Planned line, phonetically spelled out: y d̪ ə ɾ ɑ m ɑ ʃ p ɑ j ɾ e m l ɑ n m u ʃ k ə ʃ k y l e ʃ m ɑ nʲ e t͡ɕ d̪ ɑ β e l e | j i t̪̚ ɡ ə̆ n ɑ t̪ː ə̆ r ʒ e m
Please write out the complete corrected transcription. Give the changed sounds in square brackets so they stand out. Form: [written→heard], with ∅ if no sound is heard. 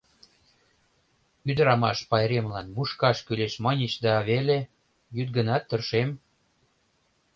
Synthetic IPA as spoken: y d̪ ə ɾ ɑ m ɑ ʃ p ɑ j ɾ e m l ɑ n m u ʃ k [ə→ɑ] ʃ k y l e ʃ m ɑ nʲ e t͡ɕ d̪ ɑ β e l e | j [i→y] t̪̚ ɡ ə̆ n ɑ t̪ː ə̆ r [ʒ→ʃ] e m